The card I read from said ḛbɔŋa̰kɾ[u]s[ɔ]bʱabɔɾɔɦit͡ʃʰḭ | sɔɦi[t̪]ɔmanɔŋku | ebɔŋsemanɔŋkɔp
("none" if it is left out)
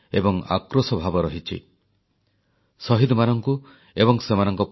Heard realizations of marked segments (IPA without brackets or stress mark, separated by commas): o, ɔ, d̪